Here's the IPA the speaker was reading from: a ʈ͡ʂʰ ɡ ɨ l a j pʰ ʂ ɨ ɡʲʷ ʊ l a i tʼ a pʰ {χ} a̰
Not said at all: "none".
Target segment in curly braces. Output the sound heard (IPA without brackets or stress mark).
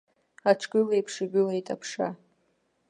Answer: ʂ